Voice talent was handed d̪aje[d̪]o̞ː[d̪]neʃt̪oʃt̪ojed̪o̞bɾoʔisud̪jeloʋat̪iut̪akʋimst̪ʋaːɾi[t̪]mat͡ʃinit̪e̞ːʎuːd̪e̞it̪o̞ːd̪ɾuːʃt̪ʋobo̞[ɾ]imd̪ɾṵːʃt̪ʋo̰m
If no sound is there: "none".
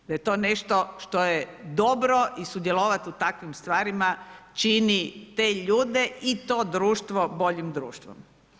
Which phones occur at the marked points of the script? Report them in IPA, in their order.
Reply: t̪, none, none, ʎ

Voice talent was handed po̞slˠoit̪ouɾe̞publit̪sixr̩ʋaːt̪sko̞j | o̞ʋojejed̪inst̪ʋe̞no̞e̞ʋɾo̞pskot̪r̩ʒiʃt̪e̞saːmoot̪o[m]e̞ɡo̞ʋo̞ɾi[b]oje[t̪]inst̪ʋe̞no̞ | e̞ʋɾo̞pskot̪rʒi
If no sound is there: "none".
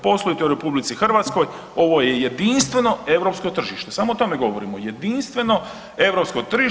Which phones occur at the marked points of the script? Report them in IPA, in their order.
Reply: m, m, d̪

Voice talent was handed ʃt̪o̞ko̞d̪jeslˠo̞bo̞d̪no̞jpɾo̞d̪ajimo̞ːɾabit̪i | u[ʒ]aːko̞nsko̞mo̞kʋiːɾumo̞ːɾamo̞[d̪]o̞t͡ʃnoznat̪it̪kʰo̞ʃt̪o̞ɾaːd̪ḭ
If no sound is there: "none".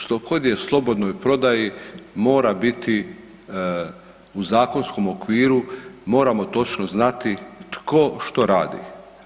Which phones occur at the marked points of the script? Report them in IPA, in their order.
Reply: z, t̪

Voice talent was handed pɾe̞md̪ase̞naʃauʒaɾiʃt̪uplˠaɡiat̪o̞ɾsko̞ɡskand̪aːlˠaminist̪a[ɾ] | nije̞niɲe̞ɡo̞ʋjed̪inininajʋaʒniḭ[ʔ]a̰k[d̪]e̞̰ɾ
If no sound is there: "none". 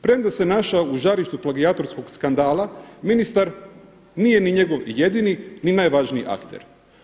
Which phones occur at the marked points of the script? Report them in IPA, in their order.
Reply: ɾ, ʔ, t̪

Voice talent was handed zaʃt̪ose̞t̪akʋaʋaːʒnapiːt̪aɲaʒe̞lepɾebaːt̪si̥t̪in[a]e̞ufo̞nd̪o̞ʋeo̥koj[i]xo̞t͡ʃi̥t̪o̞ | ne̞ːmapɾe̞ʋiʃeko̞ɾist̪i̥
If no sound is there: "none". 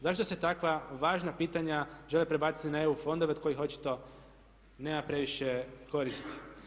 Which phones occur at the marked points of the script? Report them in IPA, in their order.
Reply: a, i

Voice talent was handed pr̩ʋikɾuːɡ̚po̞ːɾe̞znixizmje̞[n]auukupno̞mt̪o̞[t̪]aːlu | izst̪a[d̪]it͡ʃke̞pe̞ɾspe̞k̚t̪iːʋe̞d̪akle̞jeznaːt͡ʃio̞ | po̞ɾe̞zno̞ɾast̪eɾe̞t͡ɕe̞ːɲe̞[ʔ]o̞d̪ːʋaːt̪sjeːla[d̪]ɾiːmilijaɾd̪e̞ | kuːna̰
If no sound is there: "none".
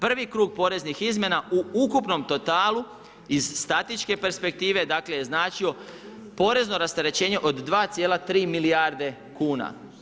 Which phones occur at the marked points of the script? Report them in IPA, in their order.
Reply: n, t̪, t̪, ʔ, t̪

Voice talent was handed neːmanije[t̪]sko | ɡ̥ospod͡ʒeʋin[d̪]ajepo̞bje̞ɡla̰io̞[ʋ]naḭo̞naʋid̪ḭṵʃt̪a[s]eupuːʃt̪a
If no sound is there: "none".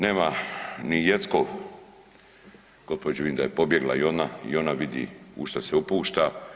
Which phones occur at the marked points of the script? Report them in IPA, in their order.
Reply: t̪, d̪, none, s

